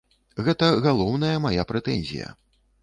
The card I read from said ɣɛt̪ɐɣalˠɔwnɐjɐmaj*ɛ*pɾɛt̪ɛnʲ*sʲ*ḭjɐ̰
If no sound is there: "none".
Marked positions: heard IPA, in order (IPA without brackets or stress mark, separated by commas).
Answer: a, zʲ